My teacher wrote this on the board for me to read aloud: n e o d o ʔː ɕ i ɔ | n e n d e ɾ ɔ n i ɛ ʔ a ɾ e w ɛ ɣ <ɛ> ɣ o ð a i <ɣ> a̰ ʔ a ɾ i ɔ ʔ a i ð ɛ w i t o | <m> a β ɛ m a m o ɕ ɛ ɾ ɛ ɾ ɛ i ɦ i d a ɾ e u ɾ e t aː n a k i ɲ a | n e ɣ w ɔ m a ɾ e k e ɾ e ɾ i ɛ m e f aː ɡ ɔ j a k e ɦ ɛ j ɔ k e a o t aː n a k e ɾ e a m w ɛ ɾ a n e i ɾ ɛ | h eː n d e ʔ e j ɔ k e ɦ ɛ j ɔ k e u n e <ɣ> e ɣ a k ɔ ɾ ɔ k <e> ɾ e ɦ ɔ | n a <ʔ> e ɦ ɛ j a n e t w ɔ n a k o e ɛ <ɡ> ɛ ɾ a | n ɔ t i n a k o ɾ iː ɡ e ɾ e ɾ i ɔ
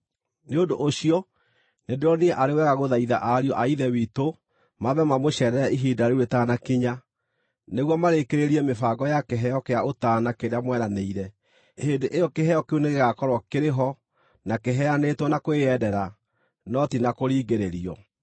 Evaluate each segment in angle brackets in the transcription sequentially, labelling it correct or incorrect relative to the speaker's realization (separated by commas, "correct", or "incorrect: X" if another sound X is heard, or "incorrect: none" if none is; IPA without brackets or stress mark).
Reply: incorrect: a, incorrect: ð, correct, correct, correct, incorrect: k, incorrect: d